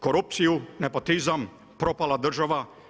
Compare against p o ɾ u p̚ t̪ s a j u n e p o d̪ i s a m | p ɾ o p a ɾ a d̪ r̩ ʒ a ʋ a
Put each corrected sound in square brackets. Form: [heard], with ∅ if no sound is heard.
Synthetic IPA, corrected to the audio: [k] o ɾ u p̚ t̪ s [i] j u n e p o [t̪] i [z] a m | p ɾ o p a [l] a d̪ r̩ ʒ a ʋ a

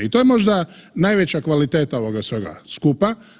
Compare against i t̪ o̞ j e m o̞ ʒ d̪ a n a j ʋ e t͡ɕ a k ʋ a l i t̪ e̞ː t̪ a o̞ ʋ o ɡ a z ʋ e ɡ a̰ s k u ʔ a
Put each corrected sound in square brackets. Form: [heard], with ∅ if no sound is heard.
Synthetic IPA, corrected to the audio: i t̪ o̞ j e m o̞ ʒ d̪ a n a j ʋ e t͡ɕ a k ʋ a l i t̪ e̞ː t̪ a o̞ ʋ o ɡ a [s] ʋ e ɡ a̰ s k u [p] a

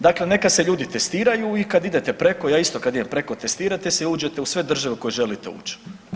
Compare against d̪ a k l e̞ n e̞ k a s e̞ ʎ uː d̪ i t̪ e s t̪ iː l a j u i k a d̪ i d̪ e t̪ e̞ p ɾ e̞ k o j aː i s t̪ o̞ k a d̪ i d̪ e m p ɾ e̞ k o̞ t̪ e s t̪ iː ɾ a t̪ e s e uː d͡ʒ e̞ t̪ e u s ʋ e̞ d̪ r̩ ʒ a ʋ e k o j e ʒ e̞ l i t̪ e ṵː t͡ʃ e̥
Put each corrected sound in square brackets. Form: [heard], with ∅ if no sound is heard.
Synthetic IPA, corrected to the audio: d̪ a k l e̞ n e̞ k a s e̞ ʎ uː d̪ i t̪ e s t̪ iː [ɾ] a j u i k a d̪ i d̪ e t̪ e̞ p ɾ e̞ k o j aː i s t̪ o̞ k a d̪ i d̪ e m p ɾ e̞ k o̞ t̪ e s t̪ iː ɾ a t̪ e s e uː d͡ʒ e̞ t̪ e u s ʋ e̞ d̪ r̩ ʒ a ʋ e k o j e ʒ e̞ l i t̪ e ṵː t͡ʃ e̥

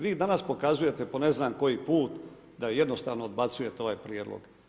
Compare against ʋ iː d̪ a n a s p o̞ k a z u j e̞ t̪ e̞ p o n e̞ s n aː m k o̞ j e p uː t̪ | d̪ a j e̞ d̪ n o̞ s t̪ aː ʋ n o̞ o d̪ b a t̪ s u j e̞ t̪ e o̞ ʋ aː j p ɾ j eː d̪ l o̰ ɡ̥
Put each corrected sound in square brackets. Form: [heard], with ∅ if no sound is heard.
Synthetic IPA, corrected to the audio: ʋ iː d̪ a n a s p o̞ k a z u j e̞ t̪ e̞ p o n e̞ [z] n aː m k o̞ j [i] p uː t̪ | d̪ a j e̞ d̪ n o̞ s t̪ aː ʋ n o̞ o d̪ b a t̪ s u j e̞ t̪ e o̞ ʋ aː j p ɾ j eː d̪ l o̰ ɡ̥

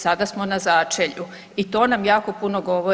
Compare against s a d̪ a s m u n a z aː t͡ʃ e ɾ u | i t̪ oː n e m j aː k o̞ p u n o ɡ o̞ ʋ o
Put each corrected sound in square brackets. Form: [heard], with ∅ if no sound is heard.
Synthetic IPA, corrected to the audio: s a d̪ a s m [o] n a z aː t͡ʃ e [ʎ] u | i t̪ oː n [a] m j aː k o̞ p u n o ɡ o̞ ʋ o

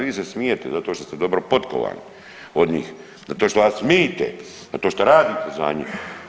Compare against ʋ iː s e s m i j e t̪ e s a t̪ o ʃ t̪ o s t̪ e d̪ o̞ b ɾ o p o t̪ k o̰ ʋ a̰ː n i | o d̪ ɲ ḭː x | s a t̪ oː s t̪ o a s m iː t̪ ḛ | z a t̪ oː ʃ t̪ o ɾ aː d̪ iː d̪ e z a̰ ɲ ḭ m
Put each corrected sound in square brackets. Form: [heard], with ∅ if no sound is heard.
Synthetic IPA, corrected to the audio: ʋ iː s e s m i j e t̪ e [z] a t̪ o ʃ t̪ o s t̪ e d̪ o̞ b ɾ o p o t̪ k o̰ ʋ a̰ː n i | o d̪ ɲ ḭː x | [z] a t̪ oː [ʃ] t̪ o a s m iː t̪ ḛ | z a t̪ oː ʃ t̪ o ɾ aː d̪ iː [t̪] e z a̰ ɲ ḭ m

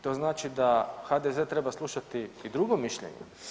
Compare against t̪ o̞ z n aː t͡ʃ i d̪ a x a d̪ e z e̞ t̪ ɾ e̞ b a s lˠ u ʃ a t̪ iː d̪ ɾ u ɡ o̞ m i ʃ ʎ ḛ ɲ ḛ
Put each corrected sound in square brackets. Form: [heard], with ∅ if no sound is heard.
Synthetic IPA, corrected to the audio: t̪ o̞ z n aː t͡ʃ i d̪ a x a d̪ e z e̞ t̪ ɾ e̞ b a s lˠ u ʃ a t̪ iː d̪ ɾ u ɡ o̞ m i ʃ ʎ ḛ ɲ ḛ

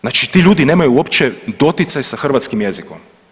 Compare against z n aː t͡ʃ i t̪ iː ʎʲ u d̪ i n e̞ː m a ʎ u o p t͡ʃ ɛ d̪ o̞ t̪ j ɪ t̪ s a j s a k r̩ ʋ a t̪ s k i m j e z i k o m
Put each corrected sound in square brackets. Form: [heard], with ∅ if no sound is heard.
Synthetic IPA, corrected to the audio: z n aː t͡ʃ i t̪ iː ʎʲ [uː] d̪ i n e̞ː m a [j] u o p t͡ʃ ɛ d̪ o̞ t̪ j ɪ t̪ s a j s a [x] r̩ ʋ a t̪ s k i m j e z i k o m

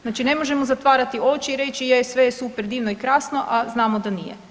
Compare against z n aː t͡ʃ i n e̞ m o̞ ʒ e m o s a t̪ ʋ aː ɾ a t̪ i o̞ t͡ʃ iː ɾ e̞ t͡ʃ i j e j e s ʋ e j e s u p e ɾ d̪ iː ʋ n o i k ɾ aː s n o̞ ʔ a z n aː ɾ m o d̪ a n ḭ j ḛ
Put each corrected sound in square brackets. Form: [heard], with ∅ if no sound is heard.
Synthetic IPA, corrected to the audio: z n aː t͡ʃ i n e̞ m o̞ ʒ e m o [z] a t̪ ʋ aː ɾ a t̪ i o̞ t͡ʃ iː ɾ e̞ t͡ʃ i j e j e s ʋ e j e s u p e ɾ d̪ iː ʋ n o i k ɾ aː s n o̞ ʔ a z n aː [∅] m o d̪ a n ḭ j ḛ

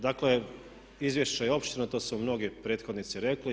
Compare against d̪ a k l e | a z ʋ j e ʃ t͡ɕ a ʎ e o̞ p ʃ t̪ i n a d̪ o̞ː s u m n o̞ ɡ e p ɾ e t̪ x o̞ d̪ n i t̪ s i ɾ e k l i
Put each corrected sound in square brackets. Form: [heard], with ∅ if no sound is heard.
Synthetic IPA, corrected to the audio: d̪ a k l e | [i] z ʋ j e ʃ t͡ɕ a [j] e o̞ p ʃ t̪ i n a [t̪] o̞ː s u m n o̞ ɡ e p ɾ e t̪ x o̞ d̪ n i t̪ s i ɾ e k l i

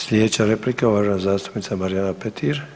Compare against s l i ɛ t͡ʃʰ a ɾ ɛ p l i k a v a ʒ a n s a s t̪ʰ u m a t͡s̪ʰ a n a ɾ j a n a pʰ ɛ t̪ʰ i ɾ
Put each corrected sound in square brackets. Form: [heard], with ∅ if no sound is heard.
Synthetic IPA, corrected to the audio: s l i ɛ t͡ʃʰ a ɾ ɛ p l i k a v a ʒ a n [z] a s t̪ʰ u m [i] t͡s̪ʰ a [m] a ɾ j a n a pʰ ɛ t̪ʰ i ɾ

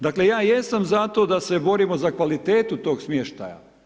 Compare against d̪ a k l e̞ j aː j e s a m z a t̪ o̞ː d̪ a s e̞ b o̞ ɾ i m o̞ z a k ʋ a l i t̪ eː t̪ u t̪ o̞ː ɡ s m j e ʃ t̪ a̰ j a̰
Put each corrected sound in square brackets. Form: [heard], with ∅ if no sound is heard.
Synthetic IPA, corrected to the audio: d̪ a k l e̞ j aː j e s a m z a t̪ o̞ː d̪ a s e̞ b o̞ ɾ i m o̞ z a k ʋ a l i t̪ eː t̪ u t̪ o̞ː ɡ s m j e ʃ t̪ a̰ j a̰

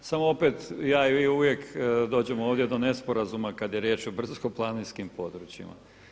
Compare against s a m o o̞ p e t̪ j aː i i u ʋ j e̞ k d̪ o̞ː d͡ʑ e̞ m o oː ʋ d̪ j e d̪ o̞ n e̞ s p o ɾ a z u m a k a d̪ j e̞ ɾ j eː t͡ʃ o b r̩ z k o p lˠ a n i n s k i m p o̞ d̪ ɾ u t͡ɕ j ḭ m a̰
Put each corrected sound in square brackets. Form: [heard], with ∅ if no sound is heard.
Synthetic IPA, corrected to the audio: s a m o o̞ p e t̪ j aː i i u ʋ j e̞ k d̪ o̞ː d͡ʑ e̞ m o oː ʋ d̪ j e d̪ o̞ n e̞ s p o ɾ a z u m a k a d̪ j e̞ ɾ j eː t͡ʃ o b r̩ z k o p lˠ a n i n s k i m p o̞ d̪ ɾ u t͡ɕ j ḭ m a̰

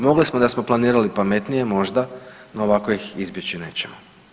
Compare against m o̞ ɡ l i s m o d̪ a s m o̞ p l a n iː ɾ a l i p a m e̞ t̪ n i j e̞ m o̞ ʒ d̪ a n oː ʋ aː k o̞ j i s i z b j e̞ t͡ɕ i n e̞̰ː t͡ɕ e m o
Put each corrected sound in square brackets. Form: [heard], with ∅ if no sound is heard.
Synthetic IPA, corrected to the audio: m o̞ ɡ l i s m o d̪ a s m o̞ p l a n iː ɾ a l i p a m e̞ t̪ n i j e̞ m o̞ ʒ d̪ a n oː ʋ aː k o̞ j i [x] i z b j e̞ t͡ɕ i n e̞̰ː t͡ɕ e m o

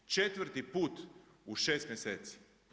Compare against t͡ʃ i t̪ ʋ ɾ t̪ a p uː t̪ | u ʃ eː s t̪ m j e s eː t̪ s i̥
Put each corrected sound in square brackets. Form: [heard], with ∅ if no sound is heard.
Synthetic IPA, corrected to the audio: t͡ʃ [e] t̪ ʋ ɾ t̪ [i] p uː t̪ | u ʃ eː s t̪ m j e s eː t̪ s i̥

